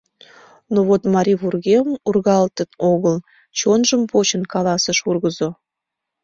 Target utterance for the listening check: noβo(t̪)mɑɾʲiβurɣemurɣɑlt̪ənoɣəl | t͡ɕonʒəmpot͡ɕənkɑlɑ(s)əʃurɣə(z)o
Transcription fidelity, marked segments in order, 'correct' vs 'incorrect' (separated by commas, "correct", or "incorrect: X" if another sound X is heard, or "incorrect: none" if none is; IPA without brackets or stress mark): correct, correct, correct